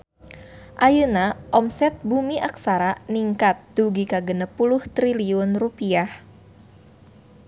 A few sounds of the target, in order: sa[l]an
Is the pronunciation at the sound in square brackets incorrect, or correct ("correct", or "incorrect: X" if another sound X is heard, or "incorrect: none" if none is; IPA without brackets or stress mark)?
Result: incorrect: ɾ